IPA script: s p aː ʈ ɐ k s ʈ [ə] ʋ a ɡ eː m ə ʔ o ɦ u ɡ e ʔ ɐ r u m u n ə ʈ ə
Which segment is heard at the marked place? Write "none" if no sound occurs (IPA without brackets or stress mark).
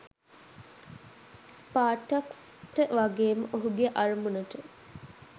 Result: ə